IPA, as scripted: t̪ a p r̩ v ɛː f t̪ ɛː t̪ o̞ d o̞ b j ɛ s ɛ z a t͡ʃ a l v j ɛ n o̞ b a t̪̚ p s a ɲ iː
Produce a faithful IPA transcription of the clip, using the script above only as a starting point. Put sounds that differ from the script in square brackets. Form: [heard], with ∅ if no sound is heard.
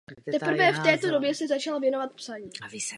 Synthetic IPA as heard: t̪ [ɛ] p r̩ v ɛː f t̪ ɛː t̪ o̞ d o̞ b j ɛ s ɛ z a t͡ʃ a l v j ɛ n o̞ [v] a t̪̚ p s a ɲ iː